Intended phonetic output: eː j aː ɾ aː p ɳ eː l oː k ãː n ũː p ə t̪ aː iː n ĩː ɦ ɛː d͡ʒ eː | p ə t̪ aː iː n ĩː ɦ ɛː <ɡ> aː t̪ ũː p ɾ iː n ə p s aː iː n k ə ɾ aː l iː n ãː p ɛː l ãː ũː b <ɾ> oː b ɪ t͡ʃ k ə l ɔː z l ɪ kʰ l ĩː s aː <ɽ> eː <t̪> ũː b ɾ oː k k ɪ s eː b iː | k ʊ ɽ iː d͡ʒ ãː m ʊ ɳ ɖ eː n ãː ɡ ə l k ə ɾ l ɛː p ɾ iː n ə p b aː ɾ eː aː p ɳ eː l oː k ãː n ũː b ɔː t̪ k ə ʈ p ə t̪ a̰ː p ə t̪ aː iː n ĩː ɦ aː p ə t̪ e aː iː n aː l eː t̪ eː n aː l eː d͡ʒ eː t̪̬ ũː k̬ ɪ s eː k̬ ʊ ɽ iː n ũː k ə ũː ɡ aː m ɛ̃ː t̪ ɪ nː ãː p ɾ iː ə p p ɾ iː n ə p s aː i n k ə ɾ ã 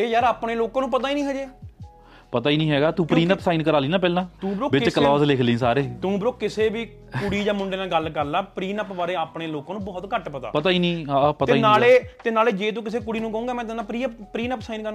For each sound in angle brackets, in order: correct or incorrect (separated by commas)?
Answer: correct, correct, incorrect, correct